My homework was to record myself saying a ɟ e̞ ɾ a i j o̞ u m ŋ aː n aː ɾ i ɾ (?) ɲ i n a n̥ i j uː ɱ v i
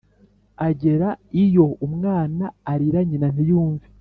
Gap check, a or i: a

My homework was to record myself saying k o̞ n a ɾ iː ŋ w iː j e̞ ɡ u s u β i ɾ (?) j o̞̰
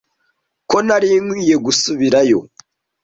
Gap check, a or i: a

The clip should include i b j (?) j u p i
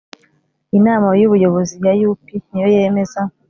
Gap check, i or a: a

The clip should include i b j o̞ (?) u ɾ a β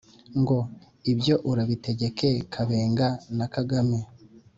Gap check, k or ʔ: ʔ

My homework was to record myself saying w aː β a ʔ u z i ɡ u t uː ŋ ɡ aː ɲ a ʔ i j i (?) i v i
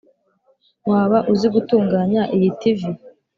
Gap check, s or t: t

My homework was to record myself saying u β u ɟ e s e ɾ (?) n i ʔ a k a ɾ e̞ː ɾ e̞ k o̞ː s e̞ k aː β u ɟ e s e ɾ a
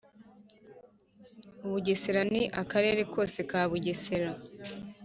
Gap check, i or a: a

